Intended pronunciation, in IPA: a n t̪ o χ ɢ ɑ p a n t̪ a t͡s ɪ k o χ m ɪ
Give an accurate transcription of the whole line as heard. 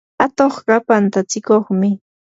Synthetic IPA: a t̪ o χ ɢ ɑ p a n t̪ a t͡s ɪ k o χ m ɪ